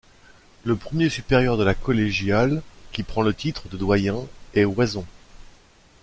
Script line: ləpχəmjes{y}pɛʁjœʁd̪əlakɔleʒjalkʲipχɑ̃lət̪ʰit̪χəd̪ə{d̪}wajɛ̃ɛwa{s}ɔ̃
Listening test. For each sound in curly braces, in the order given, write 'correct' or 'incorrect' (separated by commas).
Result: correct, correct, incorrect